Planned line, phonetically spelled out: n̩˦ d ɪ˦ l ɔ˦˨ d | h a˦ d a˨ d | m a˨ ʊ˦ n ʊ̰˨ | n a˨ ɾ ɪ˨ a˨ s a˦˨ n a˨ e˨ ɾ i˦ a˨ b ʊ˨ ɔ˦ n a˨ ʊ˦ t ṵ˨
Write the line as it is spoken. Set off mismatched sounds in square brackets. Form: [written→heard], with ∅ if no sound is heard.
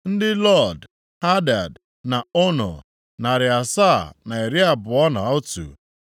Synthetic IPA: n̩˦ d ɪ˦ l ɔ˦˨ d | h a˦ d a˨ d | [m→n] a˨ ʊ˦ n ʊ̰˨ | n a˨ ɾ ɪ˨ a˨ s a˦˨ n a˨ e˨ ɾ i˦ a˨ b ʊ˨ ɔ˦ n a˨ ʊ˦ t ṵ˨